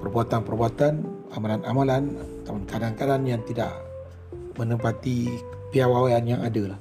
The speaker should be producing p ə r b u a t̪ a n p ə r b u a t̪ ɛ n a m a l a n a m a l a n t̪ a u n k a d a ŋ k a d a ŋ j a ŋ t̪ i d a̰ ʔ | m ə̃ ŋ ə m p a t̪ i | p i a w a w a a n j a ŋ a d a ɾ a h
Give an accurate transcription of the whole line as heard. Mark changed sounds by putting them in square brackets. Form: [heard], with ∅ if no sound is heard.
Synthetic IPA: p ə r b u a t̪ a n p ə r b u a t̪ [a] n a m a l a n a m a l a n t̪ a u n k a d a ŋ k a d a [n] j a ŋ t̪ i d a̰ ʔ | m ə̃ [n] ə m p a t̪ i | p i a w a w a a n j a ŋ a d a [l] a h